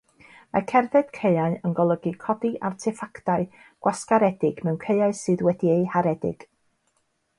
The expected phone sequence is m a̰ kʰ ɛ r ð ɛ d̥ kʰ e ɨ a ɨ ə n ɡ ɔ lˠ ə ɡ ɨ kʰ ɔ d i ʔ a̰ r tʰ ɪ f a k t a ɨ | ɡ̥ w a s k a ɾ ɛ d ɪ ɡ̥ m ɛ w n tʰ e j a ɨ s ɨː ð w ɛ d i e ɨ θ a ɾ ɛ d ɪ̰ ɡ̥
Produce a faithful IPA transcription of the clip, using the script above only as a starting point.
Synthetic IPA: m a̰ kʰ ɛ r ð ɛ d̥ kʰ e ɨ a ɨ ə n ɡ ɔ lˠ ə ɡ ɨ kʰ ɔ d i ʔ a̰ r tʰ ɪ f a k t a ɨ | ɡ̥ w a s k a ɾ ɛ d ɪ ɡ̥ m ɛ w n kʰ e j a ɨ s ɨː ð w ɛ d i e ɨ h a ɾ ɛ d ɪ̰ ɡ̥